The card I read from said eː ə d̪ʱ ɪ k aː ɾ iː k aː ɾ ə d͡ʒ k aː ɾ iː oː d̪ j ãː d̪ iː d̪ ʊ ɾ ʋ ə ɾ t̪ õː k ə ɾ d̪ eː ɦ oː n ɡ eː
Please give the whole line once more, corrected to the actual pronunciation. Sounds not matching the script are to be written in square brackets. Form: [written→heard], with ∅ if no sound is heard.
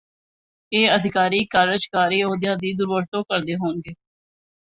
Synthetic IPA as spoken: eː ə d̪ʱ ɪ k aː ɾ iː k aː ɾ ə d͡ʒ k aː ɾ iː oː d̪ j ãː d̪ iː d̪ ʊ ɾ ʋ ə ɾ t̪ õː k ə ɾ d̪ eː ɦ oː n ɡ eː